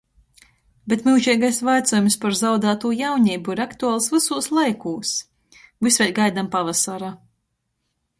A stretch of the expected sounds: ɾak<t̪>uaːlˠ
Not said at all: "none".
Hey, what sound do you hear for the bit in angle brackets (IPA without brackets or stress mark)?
t̪